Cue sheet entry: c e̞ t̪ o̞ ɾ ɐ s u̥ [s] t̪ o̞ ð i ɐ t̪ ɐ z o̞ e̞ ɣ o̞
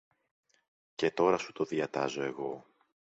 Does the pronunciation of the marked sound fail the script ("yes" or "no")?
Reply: yes